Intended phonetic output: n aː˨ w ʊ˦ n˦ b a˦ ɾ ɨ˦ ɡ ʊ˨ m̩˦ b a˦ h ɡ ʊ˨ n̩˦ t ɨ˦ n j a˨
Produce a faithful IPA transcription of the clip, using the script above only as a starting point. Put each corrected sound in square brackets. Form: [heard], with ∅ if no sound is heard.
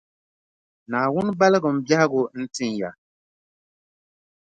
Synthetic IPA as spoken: n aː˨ w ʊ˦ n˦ b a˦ [l] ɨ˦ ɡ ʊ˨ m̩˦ b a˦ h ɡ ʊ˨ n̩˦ t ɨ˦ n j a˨